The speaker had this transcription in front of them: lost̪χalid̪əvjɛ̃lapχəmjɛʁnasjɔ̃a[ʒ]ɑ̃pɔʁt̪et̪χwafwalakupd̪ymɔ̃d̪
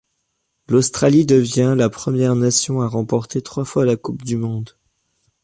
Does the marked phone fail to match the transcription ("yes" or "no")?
yes